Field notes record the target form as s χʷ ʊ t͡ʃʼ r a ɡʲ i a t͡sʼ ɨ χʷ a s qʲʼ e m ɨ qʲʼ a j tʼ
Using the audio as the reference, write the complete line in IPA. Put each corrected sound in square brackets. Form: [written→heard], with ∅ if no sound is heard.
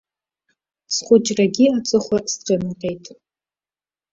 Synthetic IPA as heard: s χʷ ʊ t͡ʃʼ r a ɡʲ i a t͡sʼ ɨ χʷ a s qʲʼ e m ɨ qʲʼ [a→e] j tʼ